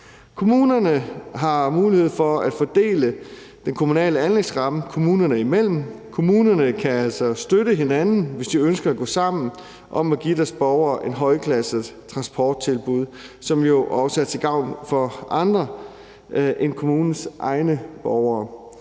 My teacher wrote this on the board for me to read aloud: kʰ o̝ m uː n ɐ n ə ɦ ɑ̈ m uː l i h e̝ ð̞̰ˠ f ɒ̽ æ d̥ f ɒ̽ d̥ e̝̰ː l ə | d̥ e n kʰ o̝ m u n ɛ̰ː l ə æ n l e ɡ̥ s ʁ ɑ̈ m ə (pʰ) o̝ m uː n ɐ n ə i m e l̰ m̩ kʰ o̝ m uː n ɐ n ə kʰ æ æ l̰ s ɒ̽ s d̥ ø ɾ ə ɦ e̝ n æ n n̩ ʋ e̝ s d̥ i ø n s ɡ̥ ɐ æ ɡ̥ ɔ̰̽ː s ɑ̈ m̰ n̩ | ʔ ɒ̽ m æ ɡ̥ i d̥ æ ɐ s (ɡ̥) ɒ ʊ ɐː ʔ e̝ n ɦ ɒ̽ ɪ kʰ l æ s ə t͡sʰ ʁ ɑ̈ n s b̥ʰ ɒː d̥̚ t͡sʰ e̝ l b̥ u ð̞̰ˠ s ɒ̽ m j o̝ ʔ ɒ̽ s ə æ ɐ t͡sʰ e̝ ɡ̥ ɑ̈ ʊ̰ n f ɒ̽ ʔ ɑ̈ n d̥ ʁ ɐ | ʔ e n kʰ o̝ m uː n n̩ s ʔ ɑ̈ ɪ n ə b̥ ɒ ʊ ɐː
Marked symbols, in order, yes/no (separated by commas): no, no